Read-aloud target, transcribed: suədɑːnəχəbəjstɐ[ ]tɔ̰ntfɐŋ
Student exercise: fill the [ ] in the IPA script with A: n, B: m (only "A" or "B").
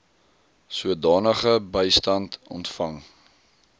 A